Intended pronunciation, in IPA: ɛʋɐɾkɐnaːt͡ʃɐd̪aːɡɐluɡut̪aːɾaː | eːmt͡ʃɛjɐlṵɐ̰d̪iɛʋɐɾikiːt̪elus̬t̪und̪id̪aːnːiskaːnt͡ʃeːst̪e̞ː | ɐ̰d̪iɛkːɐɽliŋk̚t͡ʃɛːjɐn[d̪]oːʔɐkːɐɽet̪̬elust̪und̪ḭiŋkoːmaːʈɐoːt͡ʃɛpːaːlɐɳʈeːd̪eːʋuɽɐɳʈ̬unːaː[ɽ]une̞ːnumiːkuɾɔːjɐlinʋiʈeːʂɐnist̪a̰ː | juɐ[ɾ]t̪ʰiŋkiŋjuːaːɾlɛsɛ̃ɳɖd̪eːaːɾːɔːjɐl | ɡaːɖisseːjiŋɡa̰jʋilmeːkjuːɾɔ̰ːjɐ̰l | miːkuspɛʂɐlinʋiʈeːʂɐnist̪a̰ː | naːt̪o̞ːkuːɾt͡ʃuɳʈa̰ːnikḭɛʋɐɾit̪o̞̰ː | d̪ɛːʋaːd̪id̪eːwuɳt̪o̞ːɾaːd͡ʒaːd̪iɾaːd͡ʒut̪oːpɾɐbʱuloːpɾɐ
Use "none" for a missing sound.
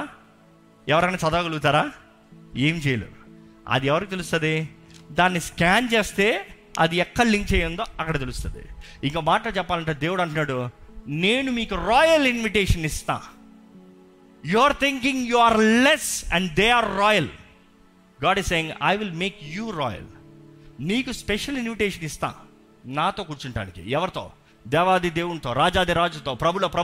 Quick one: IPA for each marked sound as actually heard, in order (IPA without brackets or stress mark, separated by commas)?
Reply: d̪, ɽ, ɾ